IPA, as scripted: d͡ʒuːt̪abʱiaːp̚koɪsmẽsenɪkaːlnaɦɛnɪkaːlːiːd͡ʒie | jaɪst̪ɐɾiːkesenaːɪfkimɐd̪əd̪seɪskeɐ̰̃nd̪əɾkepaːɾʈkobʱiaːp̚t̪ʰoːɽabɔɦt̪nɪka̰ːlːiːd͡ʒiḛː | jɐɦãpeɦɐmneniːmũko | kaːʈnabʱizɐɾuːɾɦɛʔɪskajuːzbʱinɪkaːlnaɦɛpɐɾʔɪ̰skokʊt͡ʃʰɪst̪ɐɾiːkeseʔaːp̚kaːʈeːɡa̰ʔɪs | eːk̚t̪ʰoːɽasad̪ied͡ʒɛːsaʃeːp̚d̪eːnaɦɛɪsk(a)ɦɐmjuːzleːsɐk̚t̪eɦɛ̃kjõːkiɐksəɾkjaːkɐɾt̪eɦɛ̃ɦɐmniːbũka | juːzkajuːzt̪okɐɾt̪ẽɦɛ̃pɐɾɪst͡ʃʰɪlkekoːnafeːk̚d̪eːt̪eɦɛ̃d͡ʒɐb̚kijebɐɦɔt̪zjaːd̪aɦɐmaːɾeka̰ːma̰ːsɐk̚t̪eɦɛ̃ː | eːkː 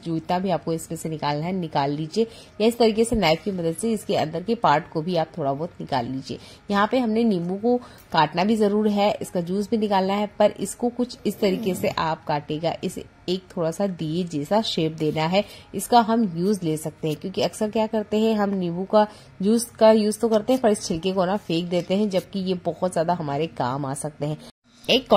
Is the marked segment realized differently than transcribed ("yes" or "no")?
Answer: no